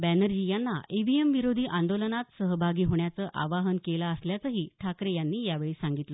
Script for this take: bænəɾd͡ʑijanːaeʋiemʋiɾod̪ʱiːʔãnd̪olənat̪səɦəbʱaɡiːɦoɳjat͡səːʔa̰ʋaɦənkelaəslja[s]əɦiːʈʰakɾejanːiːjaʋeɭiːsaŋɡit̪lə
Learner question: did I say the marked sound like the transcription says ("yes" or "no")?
no